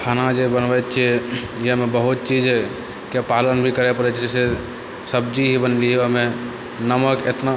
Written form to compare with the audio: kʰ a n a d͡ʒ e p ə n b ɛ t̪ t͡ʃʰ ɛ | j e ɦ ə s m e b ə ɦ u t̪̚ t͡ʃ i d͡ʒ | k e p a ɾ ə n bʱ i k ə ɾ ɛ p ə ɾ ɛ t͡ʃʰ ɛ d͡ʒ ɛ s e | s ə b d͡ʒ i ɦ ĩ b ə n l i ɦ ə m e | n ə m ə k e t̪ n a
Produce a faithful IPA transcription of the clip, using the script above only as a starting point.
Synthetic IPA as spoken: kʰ a n a d͡ʒ e b ə n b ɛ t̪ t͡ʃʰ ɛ | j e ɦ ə m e b ə ɦ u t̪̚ t͡ʃ i d͡ʒ | k e p a l ə n bʱ i k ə ɾ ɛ p ə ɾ ɛ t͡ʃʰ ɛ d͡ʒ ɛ s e | s ə b d͡ʒ i ɦ i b ə n l i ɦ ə m e | n ə m ə k e t̪ n a